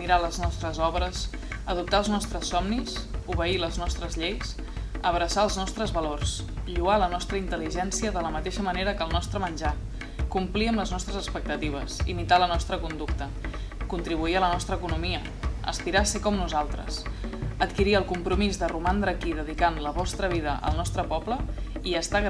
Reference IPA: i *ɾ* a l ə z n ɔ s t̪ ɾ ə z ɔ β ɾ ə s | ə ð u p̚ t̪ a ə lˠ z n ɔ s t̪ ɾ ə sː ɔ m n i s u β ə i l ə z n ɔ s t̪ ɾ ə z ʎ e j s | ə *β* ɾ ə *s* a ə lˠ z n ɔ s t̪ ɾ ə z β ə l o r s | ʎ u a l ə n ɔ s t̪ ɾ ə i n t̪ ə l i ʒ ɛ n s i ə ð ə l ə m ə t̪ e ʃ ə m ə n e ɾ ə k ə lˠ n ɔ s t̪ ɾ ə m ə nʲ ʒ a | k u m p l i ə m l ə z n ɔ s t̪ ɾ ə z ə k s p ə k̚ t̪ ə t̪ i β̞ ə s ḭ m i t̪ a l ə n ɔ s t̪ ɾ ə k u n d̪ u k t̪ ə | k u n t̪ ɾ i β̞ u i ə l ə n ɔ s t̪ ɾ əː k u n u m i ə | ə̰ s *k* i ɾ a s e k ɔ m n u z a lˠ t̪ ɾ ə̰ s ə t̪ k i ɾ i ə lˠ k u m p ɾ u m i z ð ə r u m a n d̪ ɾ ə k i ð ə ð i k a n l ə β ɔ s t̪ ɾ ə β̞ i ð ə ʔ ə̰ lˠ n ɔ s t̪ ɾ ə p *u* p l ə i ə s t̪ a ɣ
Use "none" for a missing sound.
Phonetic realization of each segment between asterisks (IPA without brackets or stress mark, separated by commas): ɾ, β, s, p, ɔ